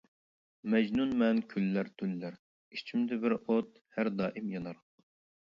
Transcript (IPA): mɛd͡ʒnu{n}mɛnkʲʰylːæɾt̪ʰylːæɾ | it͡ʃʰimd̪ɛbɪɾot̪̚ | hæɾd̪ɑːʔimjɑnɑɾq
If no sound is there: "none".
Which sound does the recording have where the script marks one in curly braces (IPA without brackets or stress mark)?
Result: n